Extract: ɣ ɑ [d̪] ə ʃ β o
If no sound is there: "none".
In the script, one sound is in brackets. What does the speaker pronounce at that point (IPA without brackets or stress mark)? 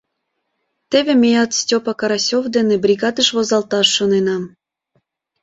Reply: d̪